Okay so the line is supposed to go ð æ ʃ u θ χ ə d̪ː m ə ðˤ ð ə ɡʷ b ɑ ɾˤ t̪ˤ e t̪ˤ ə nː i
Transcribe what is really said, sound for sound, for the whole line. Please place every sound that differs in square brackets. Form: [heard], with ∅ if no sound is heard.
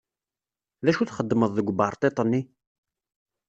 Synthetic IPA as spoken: ð æ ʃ u θ χ ə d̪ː m ə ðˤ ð ə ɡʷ b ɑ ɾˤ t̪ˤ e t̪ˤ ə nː i